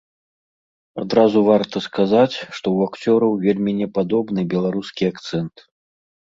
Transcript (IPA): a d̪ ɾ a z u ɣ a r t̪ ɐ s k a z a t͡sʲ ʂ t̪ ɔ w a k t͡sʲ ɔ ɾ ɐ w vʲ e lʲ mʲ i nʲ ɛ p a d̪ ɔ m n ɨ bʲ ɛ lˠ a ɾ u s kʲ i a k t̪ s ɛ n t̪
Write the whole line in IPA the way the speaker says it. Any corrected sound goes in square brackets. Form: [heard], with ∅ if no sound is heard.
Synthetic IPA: a d̪ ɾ a z u [v] a r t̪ ɐ s k a z a t͡sʲ ʂ t̪ ɔ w a k t͡sʲ ɔ ɾ ɐ w vʲ e lʲ mʲ i nʲ ɛ p a d̪ ɔ [b] n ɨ bʲ ɛ lˠ a ɾ u s kʲ i a k t̪ s ɛ n t̪